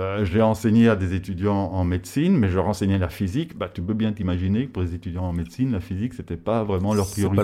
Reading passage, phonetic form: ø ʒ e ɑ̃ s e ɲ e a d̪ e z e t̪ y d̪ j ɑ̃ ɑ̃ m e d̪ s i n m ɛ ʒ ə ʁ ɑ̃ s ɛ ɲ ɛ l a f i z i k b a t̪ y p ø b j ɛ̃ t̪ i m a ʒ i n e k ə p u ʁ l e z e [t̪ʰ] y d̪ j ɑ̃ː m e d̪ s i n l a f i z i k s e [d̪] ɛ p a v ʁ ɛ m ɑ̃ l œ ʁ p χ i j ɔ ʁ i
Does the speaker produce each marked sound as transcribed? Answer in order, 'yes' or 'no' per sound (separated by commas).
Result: no, no